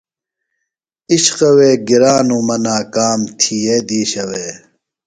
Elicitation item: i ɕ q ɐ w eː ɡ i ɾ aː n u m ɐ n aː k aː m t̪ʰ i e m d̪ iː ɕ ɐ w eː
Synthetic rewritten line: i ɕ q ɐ w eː ɡ i ɾ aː n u m ɐ n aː k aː m t̪ʰ i e d̪ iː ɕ ɐ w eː